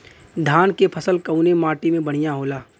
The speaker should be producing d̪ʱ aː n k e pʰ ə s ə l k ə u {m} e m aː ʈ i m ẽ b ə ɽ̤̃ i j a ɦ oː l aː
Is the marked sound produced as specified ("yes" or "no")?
no